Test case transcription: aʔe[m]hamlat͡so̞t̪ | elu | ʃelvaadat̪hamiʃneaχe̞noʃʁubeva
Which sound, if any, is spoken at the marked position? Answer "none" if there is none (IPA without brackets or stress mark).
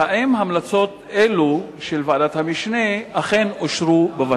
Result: m